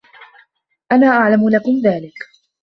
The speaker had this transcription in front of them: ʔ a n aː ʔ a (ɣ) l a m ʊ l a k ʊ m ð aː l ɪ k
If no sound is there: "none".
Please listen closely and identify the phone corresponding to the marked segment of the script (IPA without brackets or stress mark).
ʕ